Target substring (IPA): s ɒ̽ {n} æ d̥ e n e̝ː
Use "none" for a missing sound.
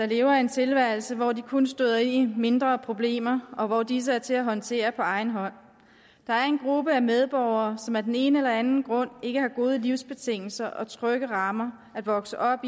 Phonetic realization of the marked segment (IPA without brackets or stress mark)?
m